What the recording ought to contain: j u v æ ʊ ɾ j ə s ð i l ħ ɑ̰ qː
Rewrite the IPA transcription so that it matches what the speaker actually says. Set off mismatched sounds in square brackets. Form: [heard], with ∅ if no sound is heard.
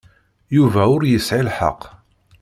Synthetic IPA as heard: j u v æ ʊ ɾ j ə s [ʕ] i l ħ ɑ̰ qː